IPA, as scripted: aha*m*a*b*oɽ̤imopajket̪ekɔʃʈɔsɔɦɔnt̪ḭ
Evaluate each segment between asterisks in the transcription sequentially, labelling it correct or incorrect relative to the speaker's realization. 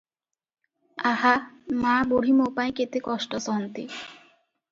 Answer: correct, correct

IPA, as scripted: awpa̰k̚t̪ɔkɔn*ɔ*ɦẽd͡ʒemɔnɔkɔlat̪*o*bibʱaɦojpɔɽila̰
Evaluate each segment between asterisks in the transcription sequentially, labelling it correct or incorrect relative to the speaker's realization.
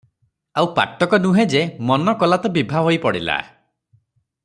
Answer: incorrect, incorrect

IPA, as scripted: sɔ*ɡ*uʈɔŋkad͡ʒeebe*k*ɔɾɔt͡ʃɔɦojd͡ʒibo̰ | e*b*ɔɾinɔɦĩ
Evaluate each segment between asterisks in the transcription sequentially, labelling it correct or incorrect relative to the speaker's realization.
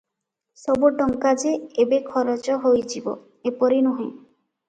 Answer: incorrect, incorrect, incorrect

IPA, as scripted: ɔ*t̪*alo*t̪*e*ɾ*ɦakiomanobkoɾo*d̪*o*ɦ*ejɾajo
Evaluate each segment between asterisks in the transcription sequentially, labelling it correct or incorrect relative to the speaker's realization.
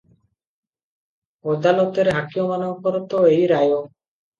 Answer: incorrect, correct, correct, incorrect, incorrect

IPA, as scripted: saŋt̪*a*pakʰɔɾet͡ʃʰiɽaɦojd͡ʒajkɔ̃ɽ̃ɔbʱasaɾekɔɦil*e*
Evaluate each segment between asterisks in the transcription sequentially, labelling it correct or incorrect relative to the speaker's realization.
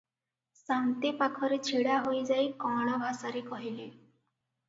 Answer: incorrect, correct

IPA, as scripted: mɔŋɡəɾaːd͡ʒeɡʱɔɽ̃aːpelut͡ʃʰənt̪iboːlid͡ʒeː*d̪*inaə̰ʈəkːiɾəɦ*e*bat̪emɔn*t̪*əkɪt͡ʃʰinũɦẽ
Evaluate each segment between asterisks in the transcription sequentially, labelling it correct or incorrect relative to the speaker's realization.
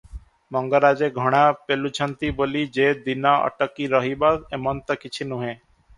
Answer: correct, incorrect, correct

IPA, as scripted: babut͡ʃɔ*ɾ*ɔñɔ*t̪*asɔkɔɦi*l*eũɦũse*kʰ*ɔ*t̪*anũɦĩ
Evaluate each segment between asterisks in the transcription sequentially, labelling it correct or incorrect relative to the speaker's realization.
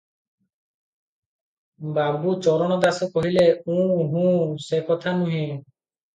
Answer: correct, incorrect, correct, incorrect, incorrect

